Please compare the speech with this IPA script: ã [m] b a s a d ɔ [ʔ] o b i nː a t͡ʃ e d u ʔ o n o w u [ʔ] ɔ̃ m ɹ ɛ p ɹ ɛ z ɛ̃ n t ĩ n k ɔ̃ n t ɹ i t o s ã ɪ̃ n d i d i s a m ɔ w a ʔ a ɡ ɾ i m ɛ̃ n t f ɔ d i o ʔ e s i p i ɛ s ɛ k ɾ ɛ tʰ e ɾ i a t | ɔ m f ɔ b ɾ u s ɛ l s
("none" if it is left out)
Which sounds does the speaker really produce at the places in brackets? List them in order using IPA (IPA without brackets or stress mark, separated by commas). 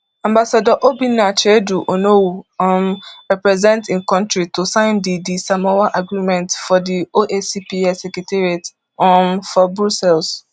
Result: m, ʔ, none